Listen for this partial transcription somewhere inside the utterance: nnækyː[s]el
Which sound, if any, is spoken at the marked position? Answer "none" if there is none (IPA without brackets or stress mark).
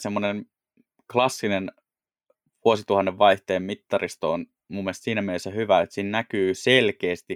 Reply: s